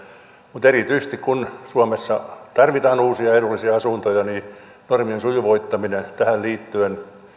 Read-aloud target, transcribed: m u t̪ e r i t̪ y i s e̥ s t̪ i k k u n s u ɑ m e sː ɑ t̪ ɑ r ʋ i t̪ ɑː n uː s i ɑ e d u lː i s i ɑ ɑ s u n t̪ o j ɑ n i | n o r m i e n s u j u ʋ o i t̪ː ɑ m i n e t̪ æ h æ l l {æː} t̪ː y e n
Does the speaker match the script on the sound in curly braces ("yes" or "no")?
no